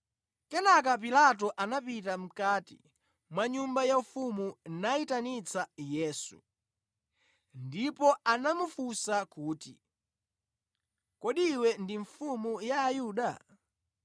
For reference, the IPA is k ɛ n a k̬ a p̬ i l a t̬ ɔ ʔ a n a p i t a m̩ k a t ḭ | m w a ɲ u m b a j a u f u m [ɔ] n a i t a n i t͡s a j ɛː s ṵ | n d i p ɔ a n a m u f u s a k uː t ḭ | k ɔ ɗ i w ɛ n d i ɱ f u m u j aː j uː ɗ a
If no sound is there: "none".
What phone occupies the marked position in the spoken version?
u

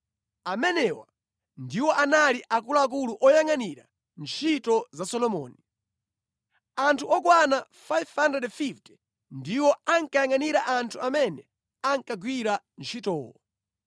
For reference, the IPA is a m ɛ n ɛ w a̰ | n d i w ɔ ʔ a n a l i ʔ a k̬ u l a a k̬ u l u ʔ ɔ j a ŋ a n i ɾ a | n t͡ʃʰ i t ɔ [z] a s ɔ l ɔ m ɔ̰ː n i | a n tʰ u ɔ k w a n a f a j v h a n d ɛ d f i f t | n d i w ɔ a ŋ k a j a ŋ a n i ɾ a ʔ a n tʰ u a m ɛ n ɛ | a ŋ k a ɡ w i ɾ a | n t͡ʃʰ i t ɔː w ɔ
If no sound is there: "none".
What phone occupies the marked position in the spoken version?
z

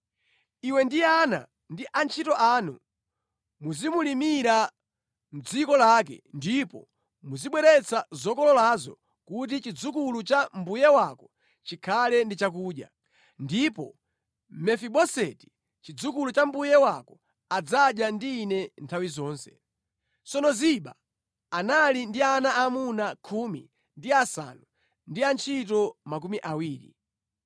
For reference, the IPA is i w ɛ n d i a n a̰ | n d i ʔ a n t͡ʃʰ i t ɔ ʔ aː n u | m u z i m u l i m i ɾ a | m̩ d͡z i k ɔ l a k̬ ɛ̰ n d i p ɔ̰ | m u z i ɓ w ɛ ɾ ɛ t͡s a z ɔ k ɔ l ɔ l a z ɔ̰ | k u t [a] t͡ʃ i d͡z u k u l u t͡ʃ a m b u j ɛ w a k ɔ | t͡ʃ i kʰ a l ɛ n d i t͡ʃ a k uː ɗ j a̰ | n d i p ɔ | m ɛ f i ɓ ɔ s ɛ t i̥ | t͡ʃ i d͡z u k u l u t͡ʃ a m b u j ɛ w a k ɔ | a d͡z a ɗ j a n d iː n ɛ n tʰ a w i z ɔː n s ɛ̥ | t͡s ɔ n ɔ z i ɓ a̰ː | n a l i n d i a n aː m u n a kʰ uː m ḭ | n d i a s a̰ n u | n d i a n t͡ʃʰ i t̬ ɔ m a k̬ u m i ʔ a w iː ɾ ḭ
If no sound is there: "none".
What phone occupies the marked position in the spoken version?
i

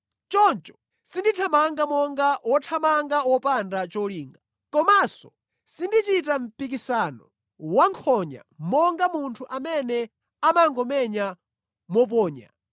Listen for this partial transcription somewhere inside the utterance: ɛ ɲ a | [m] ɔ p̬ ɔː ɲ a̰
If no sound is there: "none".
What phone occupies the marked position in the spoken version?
m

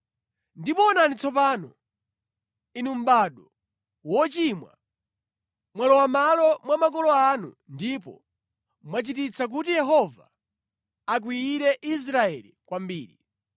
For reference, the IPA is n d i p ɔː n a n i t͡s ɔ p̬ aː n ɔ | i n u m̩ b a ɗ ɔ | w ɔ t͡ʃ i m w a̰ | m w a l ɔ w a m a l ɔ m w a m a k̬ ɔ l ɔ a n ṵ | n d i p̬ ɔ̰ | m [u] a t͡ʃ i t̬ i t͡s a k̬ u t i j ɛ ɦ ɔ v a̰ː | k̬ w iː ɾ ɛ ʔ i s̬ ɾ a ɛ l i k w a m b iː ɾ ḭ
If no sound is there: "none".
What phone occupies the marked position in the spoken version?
w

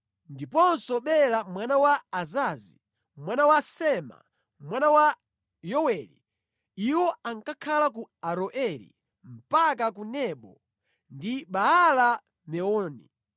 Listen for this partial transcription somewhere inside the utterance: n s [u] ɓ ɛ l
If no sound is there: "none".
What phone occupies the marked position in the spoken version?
ɔ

